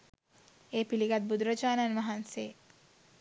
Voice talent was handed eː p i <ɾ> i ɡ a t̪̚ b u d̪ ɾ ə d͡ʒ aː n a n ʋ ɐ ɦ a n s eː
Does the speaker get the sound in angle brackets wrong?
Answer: yes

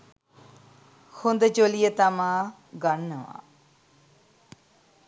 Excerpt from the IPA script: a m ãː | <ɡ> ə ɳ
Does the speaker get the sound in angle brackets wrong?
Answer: no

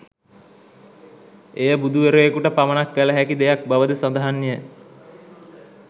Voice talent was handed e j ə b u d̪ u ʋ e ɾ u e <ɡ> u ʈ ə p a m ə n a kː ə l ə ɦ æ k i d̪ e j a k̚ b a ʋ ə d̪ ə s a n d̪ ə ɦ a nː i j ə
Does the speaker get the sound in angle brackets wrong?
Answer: yes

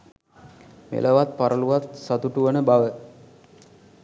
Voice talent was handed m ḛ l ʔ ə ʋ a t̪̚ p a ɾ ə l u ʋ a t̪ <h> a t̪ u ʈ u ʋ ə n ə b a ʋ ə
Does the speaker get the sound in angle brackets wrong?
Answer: yes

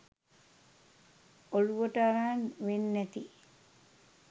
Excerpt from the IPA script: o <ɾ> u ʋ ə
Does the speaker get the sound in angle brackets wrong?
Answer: yes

